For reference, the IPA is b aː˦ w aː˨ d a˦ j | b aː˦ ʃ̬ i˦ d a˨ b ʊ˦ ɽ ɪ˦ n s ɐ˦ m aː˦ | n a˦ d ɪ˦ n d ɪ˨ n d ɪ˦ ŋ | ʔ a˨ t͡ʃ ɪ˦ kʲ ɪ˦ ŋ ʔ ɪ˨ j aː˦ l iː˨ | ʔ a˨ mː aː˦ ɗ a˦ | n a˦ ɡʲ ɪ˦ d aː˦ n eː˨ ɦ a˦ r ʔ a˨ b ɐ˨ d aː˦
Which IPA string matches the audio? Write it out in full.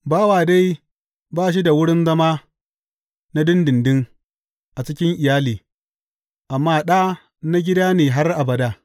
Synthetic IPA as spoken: b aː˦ w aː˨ d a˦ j | b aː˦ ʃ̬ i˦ d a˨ w ʊ˦ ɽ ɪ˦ n z ɐ˦ m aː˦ | n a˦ d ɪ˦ n d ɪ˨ n d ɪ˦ ŋ | ʔ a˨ t͡ʃ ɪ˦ kʲ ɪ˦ ŋ ʔ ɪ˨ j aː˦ l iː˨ | ʔ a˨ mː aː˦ ɗ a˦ | n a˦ ɡʲ ɪ˦ d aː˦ n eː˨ ɦ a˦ r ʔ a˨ b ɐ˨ d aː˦

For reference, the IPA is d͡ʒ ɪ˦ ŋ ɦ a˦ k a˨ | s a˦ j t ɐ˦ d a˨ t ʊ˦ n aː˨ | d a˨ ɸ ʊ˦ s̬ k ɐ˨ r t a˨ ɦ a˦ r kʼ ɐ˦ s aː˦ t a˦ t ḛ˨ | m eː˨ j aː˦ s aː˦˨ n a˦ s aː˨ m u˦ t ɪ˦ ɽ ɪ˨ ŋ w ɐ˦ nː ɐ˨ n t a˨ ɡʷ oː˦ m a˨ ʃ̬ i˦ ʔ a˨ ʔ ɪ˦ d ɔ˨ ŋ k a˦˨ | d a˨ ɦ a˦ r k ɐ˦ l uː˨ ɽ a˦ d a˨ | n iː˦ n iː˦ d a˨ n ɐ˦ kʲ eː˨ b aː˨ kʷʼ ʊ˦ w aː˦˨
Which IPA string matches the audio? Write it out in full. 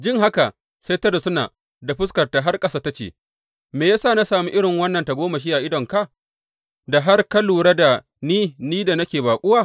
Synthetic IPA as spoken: d͡ʒ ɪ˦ ŋ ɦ a˦ k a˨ | s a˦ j t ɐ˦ d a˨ s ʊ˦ n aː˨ | d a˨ ɸ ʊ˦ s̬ k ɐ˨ r t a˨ ɦ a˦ r kʼ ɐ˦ s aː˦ t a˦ t͡ʃ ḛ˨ | m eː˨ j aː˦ s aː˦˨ n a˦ s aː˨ m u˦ ʔ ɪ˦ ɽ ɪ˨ ŋ w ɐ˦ nː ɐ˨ n t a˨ ɡʷ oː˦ m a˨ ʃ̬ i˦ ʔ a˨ ʔ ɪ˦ d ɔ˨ ŋ k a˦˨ | d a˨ ɦ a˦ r k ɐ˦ l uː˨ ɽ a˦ d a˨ | n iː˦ n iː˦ d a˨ n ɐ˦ kʲ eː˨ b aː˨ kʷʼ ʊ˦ w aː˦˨

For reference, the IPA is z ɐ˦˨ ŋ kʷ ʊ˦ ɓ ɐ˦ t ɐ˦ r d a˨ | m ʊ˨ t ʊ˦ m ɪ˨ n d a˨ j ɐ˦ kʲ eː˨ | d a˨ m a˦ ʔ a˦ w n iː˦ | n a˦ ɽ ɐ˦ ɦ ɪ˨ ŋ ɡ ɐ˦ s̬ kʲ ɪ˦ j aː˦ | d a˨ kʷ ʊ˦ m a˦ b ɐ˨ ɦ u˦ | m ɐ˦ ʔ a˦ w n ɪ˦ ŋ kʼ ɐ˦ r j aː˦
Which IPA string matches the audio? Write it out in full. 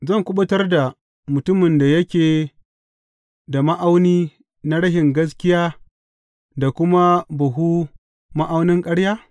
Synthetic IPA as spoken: z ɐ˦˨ ŋ kʷ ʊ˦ ɓ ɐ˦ t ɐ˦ r d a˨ | m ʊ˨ t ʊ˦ m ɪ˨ n d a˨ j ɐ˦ kʲ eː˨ | d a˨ m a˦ ʔ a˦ w n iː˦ | n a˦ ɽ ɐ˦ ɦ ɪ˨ ŋ ɡ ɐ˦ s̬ kʲ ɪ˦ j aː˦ | d a˨ kʷ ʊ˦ m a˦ b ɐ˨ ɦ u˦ | m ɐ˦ ʔ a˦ w n ɪ˦ ŋ kʼ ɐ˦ ɽ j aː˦

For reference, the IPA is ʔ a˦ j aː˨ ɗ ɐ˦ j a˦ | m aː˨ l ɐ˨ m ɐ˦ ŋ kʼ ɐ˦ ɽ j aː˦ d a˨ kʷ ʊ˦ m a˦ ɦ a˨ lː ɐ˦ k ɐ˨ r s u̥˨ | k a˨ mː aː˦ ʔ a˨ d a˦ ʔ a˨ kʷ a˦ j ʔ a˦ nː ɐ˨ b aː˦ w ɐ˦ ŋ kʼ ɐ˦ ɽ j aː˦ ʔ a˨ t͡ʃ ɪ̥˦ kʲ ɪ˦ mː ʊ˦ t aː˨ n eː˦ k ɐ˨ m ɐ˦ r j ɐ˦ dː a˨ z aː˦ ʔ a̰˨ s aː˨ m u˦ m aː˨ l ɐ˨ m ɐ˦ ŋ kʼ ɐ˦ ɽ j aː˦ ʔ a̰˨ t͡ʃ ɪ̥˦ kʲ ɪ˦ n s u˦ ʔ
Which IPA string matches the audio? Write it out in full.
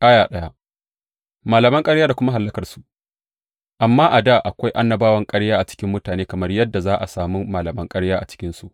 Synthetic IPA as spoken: ʔ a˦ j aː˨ ɗ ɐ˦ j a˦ | m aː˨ l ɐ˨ m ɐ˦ ŋ kʼ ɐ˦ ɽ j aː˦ d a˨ kʷ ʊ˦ m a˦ ɦ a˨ lː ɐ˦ k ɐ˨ r s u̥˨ | ʔ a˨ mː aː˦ ʔ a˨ d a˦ ʔ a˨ kʷ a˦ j ʔ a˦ nː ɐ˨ b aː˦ w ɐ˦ ŋ kʼ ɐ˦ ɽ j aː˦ ʔ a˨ t͡ʃ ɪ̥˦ kʲ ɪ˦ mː ʊ˦ t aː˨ n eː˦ k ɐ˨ m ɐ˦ r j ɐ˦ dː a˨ z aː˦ ʔ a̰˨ s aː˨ m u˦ m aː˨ l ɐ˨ m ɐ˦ ŋ kʼ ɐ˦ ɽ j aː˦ ʔ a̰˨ t͡ʃ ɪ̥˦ kʲ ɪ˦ n s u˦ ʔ

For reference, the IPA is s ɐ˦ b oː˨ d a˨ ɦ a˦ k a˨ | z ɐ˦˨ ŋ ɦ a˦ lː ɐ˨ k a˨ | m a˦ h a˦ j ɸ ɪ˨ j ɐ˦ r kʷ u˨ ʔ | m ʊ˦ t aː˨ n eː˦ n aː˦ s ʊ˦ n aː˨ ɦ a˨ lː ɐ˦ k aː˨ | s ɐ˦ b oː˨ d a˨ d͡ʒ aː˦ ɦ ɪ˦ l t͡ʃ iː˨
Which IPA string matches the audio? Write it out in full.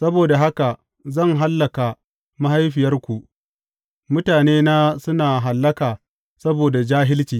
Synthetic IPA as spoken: s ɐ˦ b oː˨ d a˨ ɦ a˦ k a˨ | z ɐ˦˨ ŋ ɦ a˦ lː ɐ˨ k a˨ | m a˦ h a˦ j ɸ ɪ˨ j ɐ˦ r kʷ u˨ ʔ | m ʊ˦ t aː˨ n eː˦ n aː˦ s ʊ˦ n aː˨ ɦ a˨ lː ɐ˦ k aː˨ | s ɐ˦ b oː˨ d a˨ d͡ʒ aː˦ ɦ ɪ˦ l t͡ʃ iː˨

